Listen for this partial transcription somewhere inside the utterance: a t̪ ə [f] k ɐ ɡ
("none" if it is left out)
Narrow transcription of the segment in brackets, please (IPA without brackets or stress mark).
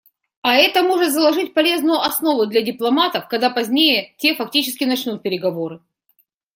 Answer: f